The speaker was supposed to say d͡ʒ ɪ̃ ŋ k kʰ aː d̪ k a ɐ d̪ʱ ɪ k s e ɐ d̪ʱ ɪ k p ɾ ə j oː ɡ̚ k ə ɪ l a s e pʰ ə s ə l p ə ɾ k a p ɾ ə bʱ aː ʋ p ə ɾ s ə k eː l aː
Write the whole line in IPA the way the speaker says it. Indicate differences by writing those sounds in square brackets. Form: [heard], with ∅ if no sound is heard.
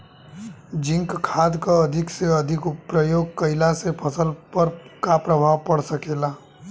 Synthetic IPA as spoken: d͡ʒ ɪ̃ ŋ k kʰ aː d̪ k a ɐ d̪ʱ ɪ k s e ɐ d̪ʱ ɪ k p ɾ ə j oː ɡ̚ k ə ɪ l a s e pʰ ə s ə l p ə ɾ k a p ɾ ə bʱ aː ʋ p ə [ɽ] s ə k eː l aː